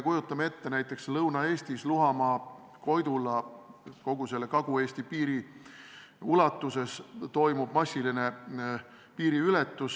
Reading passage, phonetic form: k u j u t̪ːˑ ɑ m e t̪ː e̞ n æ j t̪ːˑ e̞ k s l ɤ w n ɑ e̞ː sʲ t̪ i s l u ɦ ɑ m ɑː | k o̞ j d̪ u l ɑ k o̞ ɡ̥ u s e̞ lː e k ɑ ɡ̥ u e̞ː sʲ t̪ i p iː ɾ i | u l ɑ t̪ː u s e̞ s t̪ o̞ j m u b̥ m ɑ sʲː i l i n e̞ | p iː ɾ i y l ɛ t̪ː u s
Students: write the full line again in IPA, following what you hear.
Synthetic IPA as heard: k u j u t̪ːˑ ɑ m e t̪ː e̞ n æ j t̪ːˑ e̞ k s l ɤ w n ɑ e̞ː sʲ t̪ i s l u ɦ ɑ m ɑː | k o̞ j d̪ u l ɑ k o̞ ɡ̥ u s e̞ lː e k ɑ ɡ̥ u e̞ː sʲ t̪ i p iː ɾ i | u l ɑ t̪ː u s e̞ s t̪ o̞ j m u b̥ m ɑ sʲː i l i n e̞ | p iː ɾ i y l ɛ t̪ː u s